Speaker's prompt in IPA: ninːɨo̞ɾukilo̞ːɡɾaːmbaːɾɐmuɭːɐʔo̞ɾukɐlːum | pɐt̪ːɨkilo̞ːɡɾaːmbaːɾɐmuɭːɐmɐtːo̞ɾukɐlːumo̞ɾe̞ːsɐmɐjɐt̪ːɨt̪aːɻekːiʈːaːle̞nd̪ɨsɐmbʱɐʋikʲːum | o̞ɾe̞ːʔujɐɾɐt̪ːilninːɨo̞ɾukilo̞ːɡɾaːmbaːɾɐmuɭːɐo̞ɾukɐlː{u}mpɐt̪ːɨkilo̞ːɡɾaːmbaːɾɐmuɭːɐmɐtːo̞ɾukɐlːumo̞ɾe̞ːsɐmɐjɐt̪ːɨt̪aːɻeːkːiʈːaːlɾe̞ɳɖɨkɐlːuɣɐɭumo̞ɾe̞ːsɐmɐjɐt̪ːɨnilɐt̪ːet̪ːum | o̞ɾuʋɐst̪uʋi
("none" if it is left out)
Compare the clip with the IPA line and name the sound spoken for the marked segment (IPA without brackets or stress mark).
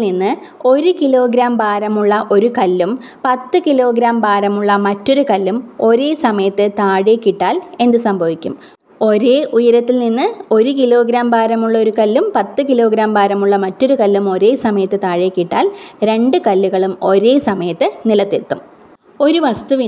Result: u